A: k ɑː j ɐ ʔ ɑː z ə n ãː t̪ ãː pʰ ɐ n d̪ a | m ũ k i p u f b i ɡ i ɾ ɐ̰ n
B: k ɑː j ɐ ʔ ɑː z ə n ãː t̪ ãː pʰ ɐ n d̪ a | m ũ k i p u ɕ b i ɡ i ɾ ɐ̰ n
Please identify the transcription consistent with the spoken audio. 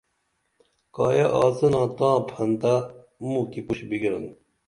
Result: B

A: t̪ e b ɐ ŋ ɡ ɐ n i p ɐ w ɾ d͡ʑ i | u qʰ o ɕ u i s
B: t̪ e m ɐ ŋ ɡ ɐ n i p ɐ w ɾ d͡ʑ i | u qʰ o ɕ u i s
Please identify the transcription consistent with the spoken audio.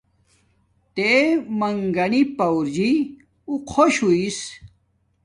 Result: B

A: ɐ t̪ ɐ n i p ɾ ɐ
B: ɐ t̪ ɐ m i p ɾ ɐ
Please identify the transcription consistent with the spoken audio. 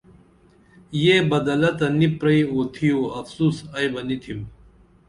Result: A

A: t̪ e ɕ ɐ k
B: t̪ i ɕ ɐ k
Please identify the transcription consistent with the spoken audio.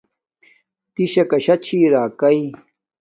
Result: B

